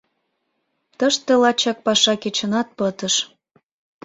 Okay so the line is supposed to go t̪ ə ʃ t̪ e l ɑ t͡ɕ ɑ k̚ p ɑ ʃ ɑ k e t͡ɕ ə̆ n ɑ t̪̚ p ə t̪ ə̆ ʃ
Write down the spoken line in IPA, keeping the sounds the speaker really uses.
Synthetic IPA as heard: t̪ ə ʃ t̪ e l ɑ t͡ɕ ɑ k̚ p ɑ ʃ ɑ k e t͡ɕ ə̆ n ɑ t̪̚ p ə t̪ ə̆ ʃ